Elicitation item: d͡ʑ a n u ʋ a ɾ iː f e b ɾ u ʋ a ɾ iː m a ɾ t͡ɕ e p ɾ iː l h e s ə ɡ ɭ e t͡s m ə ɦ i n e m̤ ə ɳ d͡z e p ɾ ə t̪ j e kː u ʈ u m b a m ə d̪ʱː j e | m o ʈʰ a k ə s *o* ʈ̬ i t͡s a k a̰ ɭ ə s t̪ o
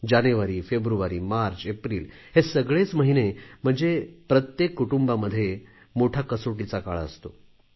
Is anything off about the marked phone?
no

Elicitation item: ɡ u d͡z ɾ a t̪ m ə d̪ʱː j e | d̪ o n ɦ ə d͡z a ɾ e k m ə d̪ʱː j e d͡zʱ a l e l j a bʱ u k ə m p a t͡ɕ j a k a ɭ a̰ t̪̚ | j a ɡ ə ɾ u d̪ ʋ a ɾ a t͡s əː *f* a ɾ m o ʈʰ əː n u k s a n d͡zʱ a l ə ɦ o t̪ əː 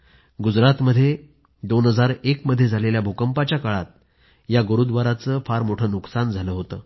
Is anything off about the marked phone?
no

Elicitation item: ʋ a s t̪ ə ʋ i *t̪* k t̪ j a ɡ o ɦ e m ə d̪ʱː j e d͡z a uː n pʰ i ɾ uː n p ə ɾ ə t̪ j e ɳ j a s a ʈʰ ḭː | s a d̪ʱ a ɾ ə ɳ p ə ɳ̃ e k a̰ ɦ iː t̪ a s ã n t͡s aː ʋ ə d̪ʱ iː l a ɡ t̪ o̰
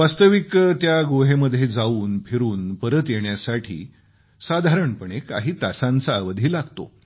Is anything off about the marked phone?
yes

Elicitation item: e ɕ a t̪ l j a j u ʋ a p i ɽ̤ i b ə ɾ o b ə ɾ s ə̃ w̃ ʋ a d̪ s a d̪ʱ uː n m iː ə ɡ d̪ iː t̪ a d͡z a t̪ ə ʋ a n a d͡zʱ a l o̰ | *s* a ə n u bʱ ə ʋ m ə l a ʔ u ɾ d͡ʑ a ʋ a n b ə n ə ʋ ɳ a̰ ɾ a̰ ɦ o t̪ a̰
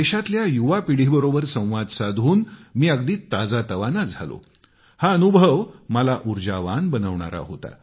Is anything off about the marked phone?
yes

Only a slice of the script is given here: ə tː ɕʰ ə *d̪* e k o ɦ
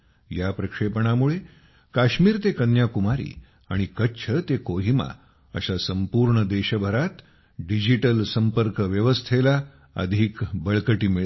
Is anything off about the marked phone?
yes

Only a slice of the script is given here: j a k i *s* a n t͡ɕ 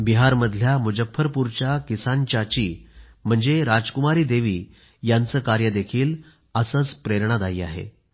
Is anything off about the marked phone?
no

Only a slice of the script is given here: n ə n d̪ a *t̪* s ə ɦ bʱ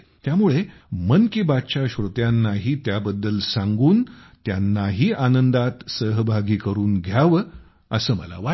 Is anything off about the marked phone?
no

